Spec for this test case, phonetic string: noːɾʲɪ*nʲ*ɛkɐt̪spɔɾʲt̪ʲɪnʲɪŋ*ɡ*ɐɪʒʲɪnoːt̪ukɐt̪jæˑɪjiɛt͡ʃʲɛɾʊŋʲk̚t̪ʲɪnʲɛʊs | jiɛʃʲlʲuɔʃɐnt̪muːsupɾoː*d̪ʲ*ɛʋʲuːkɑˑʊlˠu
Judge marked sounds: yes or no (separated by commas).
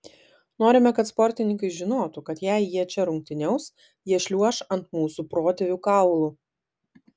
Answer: no, no, no